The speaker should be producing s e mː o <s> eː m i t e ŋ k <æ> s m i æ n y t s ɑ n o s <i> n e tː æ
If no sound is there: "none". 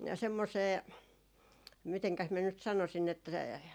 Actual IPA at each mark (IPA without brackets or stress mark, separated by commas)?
s, æ, i